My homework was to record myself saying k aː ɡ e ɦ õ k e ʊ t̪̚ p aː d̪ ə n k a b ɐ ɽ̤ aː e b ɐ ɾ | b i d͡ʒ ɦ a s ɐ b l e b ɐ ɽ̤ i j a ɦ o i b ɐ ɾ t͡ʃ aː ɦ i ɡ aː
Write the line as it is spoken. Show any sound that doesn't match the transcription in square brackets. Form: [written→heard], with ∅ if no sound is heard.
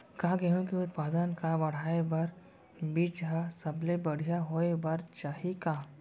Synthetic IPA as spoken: k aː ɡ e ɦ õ k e ʊ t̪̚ p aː d̪ ə n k a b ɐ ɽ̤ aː e b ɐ ɾ | b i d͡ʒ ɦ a s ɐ b l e b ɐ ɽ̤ i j a ɦ o [i→e] b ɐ ɾ t͡ʃ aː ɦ i [ɡ→k] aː